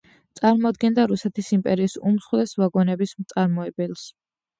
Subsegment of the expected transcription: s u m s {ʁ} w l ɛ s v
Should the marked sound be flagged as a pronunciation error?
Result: yes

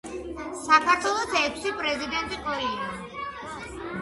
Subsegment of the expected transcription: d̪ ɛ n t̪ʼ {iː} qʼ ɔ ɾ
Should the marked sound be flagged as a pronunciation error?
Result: yes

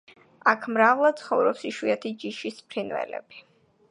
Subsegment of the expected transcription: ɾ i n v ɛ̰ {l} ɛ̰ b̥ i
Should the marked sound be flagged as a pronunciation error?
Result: no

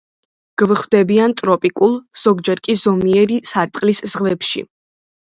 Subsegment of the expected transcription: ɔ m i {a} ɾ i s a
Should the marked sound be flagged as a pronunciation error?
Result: yes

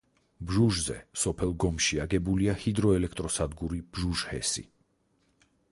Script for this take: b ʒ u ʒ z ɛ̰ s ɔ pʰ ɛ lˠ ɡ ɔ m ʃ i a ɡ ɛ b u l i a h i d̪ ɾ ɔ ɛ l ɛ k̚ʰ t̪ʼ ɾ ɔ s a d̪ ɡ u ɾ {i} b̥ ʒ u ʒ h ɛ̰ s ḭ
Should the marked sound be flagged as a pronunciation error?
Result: no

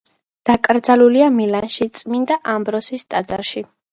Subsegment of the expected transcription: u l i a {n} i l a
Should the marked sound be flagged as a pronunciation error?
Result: yes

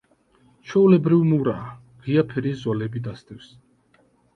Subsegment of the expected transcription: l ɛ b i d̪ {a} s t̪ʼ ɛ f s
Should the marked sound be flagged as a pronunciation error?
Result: no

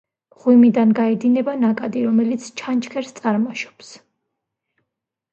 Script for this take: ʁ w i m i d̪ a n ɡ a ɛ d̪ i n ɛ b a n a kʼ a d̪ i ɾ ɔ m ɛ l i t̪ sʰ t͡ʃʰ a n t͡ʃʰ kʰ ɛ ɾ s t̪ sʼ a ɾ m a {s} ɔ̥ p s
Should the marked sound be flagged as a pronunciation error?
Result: yes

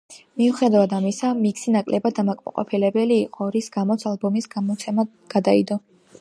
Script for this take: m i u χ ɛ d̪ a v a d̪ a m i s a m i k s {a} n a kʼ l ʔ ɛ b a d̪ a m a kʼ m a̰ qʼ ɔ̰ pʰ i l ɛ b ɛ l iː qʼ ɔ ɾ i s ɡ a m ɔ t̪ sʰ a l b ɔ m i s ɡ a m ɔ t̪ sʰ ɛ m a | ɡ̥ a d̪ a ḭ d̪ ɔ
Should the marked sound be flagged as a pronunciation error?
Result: yes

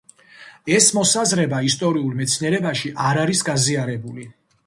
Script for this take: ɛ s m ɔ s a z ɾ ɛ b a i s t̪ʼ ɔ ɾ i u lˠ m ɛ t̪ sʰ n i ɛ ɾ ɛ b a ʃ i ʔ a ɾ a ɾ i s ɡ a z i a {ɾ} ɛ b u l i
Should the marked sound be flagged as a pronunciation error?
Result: no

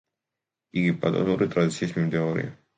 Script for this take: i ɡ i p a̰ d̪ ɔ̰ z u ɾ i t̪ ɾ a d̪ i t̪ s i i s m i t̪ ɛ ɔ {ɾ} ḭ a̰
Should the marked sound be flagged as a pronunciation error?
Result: no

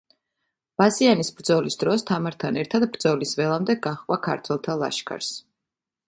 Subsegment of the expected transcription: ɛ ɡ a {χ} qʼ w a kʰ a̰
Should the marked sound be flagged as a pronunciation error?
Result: no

